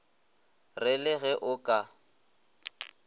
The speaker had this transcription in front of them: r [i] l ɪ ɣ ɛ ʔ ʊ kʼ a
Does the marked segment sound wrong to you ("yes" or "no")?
yes